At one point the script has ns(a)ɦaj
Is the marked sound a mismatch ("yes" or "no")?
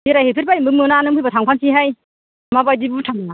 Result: yes